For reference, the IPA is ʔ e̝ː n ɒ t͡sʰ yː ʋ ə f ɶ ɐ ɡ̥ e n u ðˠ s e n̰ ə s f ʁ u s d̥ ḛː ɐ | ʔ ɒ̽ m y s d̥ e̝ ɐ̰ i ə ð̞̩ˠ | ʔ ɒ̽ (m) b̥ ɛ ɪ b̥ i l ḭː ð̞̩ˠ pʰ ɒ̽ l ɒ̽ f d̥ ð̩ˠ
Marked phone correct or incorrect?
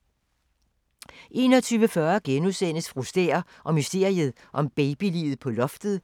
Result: correct